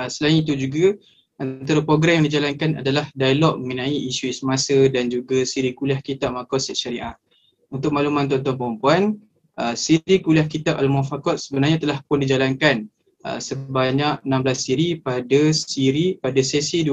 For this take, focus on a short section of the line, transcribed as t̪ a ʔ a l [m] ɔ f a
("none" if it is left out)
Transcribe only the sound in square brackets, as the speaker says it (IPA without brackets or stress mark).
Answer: m